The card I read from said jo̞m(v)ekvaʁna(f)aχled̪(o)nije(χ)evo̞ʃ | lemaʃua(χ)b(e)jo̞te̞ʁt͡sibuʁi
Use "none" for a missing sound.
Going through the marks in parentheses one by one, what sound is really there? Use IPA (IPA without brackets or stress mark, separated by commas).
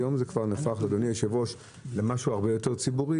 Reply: z, f, o, ʃ, ʁ, e